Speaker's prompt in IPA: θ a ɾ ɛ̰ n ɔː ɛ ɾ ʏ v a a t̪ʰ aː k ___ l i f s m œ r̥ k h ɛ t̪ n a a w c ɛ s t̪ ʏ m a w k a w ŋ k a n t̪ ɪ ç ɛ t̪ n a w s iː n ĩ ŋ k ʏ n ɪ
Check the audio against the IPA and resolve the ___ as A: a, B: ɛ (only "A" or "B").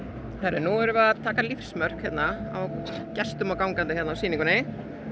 A